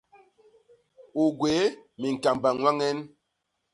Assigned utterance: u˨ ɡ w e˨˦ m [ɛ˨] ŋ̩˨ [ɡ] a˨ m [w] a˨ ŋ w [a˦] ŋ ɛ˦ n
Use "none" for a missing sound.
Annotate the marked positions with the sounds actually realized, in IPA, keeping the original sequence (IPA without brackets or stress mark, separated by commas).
i˨, k, b, a˦